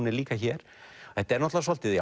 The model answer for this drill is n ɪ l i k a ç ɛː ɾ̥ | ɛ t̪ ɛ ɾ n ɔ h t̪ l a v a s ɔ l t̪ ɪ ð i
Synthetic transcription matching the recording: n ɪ l iː k a ç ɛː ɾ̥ | ɛ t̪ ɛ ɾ n ɔ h t̪ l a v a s ɔ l t̪ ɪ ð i